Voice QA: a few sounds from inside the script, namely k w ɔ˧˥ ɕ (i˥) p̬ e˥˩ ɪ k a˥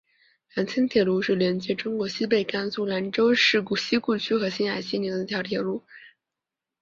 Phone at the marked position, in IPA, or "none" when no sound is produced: i˥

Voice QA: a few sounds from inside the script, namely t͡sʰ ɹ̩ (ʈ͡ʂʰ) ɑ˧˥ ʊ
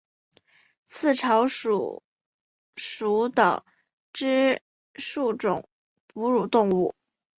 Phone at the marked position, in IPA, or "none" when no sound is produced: ʈ͡ʂʰ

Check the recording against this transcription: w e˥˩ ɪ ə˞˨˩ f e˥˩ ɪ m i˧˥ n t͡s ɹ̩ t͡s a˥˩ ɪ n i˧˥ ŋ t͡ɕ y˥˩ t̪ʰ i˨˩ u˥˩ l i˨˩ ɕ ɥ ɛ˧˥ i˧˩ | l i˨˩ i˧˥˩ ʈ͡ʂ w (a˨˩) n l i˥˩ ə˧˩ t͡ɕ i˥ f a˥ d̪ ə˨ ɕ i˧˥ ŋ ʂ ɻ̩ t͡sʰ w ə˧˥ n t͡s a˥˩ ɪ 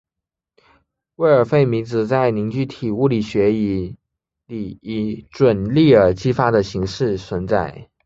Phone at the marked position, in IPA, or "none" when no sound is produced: ə˨˩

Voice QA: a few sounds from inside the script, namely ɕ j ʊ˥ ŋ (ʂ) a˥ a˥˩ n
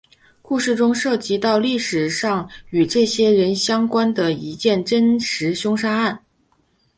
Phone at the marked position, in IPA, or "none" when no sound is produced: ʂ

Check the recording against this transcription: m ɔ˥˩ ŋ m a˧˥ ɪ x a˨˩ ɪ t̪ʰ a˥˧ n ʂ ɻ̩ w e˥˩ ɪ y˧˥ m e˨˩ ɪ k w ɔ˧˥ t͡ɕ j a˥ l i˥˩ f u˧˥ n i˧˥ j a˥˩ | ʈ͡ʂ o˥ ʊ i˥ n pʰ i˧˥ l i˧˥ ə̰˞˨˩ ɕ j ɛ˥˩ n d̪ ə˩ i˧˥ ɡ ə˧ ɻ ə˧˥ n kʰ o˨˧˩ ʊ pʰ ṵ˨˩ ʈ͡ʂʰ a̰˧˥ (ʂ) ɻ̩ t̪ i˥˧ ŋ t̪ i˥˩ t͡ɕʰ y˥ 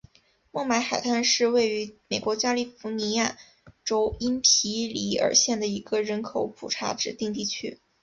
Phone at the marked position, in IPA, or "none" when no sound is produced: ʈ͡ʂ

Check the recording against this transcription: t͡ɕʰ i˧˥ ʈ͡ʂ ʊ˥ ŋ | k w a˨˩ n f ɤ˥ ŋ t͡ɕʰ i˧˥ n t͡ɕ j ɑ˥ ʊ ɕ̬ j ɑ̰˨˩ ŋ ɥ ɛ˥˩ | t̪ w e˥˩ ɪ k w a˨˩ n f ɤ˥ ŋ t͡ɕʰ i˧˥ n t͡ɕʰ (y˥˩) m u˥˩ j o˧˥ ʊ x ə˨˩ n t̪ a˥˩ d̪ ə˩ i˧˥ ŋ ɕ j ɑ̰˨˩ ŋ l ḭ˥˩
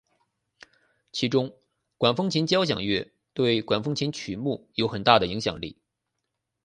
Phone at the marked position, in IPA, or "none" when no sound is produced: y˨˩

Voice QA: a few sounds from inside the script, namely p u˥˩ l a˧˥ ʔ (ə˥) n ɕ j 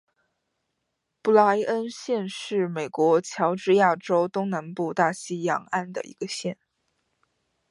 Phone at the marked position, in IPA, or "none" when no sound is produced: ə˥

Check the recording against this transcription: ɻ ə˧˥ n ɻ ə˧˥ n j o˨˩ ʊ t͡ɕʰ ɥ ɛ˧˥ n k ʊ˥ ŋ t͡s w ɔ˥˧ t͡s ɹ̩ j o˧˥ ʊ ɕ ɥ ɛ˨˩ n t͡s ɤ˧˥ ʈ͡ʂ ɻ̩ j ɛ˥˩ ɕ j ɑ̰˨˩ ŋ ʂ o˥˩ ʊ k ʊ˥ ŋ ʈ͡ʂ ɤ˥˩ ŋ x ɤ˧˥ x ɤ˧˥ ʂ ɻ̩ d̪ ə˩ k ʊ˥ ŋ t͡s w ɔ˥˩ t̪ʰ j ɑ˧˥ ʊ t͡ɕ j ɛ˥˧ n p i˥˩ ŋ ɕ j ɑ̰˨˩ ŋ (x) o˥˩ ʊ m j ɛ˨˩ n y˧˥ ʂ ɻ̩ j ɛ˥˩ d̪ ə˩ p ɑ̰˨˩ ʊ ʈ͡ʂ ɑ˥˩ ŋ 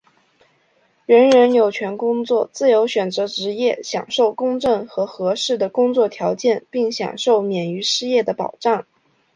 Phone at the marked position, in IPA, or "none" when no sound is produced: ʂ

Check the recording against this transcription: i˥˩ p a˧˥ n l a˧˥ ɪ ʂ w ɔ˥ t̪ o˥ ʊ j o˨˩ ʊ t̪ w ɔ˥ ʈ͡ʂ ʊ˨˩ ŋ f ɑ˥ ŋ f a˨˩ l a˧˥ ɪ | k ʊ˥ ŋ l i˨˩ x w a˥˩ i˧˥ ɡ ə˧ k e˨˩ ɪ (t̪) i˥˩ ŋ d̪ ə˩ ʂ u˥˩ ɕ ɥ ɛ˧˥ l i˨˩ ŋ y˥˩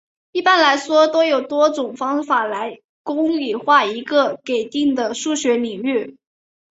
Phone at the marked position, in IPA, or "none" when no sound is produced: t̪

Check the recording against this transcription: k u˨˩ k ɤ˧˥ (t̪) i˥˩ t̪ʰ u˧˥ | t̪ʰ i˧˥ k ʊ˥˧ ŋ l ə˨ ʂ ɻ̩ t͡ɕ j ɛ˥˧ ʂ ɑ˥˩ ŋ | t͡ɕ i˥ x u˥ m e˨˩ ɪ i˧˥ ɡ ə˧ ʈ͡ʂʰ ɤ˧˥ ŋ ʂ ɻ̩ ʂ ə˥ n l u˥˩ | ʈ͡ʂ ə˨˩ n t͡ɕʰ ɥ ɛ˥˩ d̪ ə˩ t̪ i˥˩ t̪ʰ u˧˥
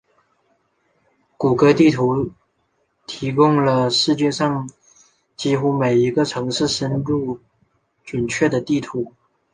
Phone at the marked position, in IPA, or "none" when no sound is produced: t̪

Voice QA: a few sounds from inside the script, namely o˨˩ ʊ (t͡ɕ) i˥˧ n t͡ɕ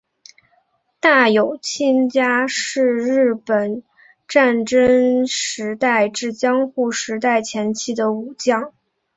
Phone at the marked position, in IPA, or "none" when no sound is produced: t͡ɕʰ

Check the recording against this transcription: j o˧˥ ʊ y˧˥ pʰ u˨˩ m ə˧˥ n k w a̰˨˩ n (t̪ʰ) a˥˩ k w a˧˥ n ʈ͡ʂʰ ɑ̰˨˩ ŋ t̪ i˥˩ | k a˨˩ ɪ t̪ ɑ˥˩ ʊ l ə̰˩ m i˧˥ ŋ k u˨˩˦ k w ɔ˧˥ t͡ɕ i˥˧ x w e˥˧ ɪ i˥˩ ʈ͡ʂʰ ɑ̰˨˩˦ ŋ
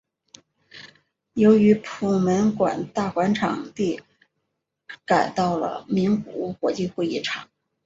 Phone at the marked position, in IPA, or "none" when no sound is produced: t̪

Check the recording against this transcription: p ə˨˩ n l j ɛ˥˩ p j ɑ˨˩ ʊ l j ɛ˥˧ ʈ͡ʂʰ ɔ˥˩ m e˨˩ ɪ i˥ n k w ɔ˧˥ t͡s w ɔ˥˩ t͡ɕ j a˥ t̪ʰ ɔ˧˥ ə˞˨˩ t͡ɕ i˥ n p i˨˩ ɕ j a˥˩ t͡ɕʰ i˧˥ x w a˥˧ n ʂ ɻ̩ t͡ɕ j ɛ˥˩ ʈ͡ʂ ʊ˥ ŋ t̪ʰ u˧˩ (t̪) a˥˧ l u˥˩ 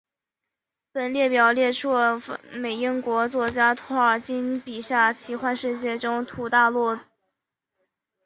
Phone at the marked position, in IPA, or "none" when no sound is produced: t̪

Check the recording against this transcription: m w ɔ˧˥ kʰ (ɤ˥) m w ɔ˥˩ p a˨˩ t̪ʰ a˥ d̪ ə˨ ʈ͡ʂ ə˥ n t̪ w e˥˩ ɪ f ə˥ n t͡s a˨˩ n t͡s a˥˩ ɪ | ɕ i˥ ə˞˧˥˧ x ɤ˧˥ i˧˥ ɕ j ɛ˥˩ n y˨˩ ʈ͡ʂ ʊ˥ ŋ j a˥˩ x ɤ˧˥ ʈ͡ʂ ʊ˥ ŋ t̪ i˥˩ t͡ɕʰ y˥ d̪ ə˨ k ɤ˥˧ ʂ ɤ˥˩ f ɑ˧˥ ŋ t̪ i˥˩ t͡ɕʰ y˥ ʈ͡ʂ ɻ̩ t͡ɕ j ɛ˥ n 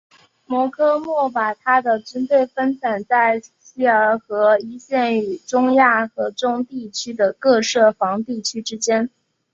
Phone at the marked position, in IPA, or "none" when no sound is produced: ɤ˥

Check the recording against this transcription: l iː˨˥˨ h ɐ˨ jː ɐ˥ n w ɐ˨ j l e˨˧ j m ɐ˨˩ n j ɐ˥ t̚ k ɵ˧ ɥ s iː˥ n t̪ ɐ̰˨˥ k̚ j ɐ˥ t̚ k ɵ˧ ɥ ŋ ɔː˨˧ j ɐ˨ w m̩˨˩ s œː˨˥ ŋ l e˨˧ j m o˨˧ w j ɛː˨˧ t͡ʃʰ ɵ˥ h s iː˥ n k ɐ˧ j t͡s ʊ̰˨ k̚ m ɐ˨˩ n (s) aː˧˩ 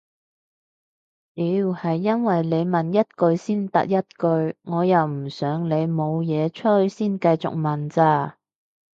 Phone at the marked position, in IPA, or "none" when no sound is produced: t͡s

